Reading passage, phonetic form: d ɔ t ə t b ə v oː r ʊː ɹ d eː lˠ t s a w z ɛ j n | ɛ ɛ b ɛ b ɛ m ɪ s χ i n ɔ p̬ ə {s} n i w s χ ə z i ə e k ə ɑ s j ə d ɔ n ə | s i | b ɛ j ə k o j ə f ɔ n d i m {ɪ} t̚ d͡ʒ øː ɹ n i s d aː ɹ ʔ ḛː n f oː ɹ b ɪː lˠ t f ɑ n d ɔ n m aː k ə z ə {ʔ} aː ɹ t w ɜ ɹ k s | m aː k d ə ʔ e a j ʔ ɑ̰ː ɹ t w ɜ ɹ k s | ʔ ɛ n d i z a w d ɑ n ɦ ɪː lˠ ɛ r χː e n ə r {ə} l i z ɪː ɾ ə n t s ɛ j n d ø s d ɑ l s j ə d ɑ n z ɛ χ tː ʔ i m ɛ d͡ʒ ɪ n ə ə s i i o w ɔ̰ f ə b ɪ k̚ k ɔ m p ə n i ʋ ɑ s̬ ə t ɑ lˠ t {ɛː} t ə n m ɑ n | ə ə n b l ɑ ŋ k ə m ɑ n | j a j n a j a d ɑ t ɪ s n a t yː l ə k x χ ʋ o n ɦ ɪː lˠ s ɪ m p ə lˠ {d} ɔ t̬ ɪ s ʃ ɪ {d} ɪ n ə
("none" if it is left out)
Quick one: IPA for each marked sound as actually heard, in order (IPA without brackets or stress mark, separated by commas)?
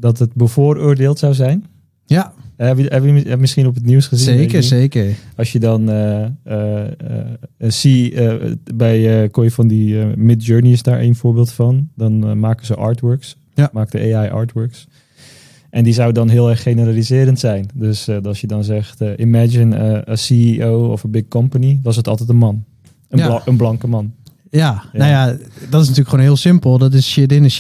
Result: t, ɪ, ʔ, a, ɛ, d, d